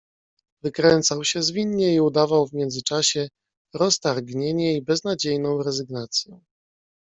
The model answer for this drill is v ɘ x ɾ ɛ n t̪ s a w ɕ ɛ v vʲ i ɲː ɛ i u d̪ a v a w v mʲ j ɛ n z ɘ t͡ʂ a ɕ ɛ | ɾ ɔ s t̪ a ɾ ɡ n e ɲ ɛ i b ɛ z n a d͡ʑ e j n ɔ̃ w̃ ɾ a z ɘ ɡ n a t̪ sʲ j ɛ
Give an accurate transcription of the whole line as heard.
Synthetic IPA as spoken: v ɘ k ɾ ɛ n t̪ s a w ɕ ɛ z vʲ i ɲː ɛ i u d̪ a v a w v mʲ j ɛ n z ɘ t͡ʂ a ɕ ɛ | ɾ ɔ s t̪ a ɾ ɡ ɲ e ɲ ɛ i b ɛ z n a d͡ʑ e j n ɔ̃ w̃ ɾ ɛ z ɘ ɡ n a t̪ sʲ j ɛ